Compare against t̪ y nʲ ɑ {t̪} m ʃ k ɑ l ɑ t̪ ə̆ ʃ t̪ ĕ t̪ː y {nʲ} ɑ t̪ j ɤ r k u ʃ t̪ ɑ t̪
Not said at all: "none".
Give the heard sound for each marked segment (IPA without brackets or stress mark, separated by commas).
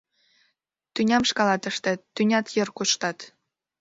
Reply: none, nʲ